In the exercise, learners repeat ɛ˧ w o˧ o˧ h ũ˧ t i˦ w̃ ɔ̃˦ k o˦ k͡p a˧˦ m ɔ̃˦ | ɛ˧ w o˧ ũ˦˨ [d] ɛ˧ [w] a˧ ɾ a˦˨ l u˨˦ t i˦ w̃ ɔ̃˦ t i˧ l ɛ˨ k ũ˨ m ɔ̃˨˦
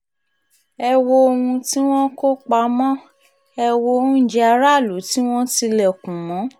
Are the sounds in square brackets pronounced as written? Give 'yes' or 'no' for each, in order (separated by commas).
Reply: no, no